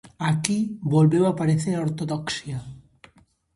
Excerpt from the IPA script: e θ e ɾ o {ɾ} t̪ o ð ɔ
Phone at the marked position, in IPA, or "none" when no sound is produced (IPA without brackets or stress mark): ɾ